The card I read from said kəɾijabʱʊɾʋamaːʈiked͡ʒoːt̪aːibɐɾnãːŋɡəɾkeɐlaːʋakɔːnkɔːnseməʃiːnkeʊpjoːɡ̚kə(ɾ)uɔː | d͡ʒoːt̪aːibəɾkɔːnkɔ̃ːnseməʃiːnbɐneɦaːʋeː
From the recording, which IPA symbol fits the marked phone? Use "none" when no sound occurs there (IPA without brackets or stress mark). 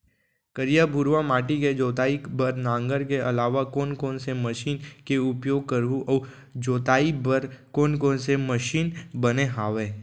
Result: ɾ